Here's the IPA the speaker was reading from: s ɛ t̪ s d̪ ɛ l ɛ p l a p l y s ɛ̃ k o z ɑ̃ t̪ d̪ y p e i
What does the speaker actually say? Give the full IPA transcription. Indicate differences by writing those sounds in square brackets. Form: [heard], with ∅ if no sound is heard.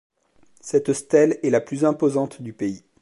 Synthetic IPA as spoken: s ɛ t̪ s [t̪] ɛ l ɛ [∅] l a p l y [z] ɛ̃ [p] o z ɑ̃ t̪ d̪ y p e i

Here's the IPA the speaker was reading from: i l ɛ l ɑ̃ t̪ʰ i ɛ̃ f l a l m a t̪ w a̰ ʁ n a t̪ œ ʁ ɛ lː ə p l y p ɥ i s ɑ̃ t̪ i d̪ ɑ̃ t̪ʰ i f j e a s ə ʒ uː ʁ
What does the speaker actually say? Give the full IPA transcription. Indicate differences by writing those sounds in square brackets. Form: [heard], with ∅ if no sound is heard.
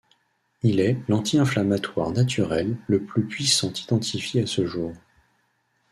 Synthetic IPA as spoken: i l ɛ l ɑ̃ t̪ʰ i ɛ̃ f l a [∅] m a t̪ w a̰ ʁ n a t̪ [y] ʁ ɛ lː ə p l y p ɥ i s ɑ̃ t̪ i d̪ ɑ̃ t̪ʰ i f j e a s ə ʒ uː ʁ

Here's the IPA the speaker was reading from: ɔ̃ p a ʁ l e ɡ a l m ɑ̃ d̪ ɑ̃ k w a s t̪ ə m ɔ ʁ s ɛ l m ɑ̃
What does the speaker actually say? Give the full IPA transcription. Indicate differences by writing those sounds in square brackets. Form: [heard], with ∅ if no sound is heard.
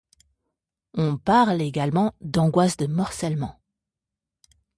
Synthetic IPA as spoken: ɔ̃ p a ʁ l e ɡ a l m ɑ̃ d̪ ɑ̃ [ɡ] w a s [d̪] ə m ɔ ʁ s ɛ l m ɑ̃

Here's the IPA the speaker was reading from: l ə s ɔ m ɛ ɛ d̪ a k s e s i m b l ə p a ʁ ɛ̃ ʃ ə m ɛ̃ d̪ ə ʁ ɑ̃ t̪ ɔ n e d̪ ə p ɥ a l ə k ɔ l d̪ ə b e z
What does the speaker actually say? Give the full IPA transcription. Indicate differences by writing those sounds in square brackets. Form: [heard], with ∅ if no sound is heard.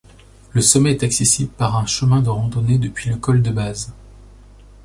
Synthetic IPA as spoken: l ə s ɔ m ɛ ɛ [t̪] a k s e s i [∅] b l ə p a ʁ ɛ̃ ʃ ə m ɛ̃ d̪ ə ʁ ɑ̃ [d̪] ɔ n e d̪ ə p ɥ [i] l ə k ɔ l d̪ ə b [a] z

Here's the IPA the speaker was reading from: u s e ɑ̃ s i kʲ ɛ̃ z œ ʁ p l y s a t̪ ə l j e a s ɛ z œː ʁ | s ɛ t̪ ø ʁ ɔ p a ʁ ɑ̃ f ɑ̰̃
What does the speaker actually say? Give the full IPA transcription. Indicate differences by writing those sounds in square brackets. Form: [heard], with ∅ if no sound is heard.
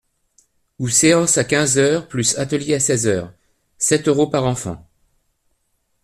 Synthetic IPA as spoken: u s e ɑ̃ s [a] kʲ ɛ̃ z œ ʁ p l y s a t̪ ə l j e a s ɛ z œː ʁ | s ɛ t̪ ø ʁ [o] p a ʁ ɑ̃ f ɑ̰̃

